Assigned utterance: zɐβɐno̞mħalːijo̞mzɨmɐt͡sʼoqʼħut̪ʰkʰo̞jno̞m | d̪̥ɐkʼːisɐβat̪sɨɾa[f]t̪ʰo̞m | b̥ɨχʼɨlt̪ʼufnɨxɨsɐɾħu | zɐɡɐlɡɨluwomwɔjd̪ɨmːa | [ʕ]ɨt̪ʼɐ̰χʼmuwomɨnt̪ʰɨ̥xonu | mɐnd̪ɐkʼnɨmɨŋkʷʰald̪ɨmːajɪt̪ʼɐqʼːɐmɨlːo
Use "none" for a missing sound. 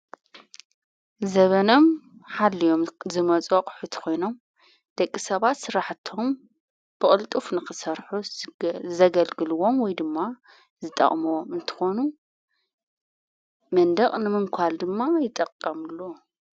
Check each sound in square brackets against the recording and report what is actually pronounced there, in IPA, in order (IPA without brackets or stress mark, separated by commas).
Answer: ħ, z